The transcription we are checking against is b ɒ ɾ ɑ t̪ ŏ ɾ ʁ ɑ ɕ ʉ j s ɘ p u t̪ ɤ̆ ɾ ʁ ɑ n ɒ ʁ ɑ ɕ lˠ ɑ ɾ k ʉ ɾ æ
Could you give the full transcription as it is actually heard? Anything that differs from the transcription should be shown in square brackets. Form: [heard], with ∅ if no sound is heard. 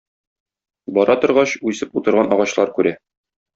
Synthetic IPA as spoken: b ɒ ɾ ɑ t̪ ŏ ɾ ʁ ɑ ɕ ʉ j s ɘ p u t̪ ɤ̆ ɾ ʁ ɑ n ɒ ʁ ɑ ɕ lˠ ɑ ɾ k ʉ ɾ æ